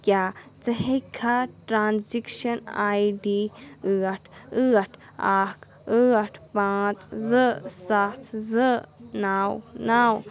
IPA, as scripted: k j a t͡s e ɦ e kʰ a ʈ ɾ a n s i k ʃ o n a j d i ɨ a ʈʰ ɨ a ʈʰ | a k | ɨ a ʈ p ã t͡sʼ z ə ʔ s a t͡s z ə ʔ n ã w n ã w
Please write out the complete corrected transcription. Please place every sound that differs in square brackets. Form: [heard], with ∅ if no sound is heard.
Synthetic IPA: k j a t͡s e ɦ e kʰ a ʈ ɾ a n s i k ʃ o n a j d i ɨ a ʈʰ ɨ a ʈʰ | a k | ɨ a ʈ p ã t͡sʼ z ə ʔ s a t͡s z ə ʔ n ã w n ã w